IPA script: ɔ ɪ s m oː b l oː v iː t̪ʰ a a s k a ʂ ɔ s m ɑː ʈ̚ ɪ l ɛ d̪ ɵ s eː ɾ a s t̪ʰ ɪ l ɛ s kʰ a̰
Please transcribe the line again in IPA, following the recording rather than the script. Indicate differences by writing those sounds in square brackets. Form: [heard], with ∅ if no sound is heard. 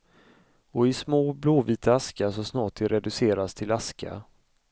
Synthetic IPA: ɔ ɪ s m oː b l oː v iː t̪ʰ a a s k a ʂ ɔ s [n] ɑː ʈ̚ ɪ [ɾ] ɛ d̪ ɵ s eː ɾ a s t̪ʰ ɪ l [a] s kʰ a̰